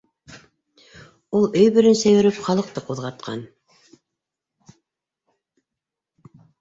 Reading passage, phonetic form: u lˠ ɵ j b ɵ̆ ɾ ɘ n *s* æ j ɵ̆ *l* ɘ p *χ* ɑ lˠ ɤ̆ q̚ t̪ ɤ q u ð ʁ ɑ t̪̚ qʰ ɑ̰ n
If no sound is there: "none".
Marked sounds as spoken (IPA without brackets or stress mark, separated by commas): s, ɾ, χ